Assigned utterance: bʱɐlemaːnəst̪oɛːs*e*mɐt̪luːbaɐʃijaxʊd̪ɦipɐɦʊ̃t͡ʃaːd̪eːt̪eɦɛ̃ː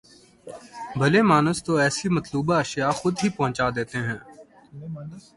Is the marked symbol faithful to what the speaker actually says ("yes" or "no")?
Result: no